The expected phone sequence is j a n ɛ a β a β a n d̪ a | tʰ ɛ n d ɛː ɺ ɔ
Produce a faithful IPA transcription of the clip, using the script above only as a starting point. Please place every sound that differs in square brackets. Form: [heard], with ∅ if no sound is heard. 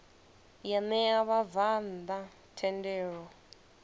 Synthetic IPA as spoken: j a n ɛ a β a [v] a n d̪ a | tʰ ɛ n d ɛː ɺ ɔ